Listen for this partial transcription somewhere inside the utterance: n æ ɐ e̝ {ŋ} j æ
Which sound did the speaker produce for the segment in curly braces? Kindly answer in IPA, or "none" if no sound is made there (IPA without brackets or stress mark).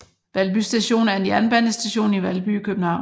n